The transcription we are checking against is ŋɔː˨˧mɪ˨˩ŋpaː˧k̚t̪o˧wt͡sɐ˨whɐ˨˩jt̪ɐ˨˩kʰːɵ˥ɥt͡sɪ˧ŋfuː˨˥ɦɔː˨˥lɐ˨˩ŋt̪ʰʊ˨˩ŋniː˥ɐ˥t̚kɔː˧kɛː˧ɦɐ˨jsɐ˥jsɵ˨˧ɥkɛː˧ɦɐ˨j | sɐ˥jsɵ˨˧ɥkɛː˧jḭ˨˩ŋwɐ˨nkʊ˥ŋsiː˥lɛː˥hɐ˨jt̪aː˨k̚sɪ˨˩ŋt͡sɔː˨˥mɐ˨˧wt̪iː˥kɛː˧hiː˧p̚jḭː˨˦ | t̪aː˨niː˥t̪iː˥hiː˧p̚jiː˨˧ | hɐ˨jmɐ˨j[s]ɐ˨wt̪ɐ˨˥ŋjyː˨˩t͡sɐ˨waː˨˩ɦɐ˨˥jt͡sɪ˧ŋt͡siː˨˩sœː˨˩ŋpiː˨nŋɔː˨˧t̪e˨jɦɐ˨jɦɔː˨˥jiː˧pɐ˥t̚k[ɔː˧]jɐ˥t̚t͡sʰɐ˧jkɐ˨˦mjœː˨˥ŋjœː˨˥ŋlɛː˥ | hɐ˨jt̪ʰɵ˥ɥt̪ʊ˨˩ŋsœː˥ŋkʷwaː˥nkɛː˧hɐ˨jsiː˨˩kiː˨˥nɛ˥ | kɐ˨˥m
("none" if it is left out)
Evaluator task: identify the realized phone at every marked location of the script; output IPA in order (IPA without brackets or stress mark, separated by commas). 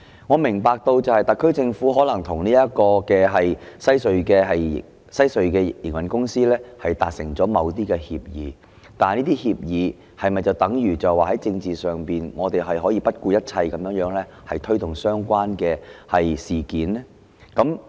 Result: t͡s, uː˧